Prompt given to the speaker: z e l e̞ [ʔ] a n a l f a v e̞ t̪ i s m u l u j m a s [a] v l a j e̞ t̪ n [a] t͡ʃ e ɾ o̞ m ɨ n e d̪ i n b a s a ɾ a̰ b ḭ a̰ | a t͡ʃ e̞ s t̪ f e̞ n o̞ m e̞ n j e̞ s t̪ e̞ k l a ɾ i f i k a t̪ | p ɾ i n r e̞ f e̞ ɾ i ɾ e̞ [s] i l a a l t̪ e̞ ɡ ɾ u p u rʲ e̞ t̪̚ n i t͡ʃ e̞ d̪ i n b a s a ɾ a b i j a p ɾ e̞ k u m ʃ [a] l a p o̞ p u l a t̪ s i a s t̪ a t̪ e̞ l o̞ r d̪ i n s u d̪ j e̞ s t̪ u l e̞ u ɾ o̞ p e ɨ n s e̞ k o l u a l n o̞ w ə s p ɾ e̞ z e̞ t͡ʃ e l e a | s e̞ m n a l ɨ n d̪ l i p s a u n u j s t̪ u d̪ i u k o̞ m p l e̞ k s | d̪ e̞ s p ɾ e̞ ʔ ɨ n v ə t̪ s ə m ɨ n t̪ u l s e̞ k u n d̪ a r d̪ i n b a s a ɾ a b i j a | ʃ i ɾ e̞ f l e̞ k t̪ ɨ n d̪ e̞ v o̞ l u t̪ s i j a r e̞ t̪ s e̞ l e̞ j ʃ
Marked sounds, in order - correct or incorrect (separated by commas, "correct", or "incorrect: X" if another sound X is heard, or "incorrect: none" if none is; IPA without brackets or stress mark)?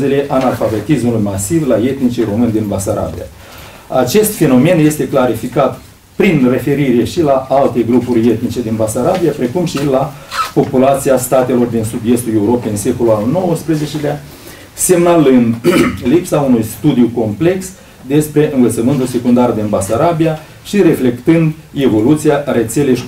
correct, incorrect: i, incorrect: i, incorrect: ʃ, incorrect: i